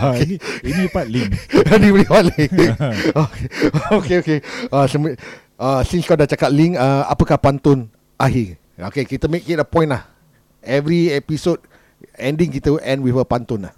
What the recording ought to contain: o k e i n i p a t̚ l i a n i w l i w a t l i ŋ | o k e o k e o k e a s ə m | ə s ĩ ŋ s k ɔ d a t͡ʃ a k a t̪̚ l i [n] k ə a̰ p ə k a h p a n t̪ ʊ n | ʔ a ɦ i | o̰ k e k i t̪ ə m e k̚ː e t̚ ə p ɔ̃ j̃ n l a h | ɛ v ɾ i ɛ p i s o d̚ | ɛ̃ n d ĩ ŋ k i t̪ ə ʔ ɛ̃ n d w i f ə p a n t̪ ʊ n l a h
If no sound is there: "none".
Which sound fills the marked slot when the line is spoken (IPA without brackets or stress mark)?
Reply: ŋ